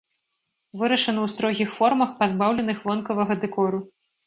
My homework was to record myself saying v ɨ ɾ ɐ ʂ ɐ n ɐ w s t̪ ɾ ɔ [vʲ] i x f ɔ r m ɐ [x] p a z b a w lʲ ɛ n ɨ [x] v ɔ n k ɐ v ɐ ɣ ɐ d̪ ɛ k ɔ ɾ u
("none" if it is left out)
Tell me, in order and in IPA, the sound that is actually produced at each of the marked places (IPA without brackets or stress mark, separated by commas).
ɣʲ, x, x